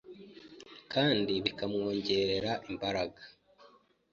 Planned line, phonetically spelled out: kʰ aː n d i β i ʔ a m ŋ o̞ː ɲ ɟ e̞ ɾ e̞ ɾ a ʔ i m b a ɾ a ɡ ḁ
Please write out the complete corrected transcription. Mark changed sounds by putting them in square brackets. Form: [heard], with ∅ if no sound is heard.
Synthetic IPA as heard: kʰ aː n d i β i [k] a m ŋ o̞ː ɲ ɟ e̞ ɾ e̞ ɾ a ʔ i m b a ɾ a ɡ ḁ